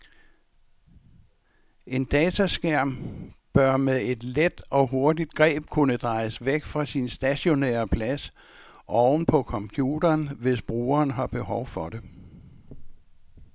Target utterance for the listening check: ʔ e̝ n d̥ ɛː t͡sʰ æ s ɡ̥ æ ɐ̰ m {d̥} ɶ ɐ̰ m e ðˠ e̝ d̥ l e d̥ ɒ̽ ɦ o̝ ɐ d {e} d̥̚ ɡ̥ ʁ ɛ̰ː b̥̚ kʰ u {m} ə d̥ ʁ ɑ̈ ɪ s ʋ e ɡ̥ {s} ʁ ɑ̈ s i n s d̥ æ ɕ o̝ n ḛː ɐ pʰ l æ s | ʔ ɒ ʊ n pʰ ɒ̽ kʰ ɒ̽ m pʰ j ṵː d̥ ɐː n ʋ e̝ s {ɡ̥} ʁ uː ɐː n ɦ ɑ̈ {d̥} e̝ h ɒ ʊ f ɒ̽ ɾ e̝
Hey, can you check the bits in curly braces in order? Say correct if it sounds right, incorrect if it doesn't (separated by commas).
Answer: incorrect, incorrect, incorrect, incorrect, incorrect, incorrect